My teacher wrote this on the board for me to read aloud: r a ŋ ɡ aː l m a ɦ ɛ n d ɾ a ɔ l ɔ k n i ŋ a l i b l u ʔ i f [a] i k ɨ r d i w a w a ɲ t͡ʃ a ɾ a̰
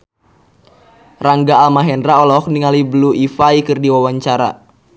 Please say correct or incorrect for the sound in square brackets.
correct